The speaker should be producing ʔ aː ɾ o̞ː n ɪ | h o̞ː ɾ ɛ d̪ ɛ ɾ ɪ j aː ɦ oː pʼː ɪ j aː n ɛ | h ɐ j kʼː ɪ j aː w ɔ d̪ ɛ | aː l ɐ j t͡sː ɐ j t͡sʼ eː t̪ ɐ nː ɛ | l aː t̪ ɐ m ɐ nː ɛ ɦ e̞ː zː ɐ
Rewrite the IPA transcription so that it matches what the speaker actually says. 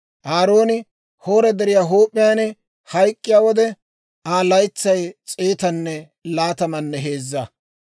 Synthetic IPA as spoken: ʔ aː ɾ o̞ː n ɪ | h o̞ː ɾ ɛ d̪ ɛ ɾ ɪ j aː ɦ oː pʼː ɪ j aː n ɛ | h ɐ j kʼː ɪ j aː w ɔ d̪ ɛ | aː l ɐ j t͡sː ɐ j t͡sʼ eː t̪ ɐ nː ɛ | l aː t̪ ɐ m ɐ nː ɛ ɦ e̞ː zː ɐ

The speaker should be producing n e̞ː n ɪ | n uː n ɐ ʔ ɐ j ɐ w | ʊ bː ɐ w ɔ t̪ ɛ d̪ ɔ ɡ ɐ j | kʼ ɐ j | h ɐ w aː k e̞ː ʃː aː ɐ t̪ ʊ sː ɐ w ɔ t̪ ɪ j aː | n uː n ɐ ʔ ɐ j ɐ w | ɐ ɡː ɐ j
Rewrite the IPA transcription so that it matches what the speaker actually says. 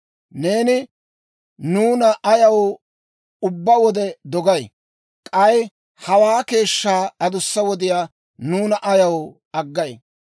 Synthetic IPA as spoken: n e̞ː n ɪ | n uː n ɐ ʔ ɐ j ɐ w | ʊ bː ɐ w ɔ d̪ ɛ d̪ ɔ ɡ ɐ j | kʼ ɐ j | h ɐ w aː k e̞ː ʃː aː ɐ d̪ ʊ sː ɐ w ɔ d̪ ɪ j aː | n uː n ɐ ʔ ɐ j ɐ w | ɐ ɡː ɐ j

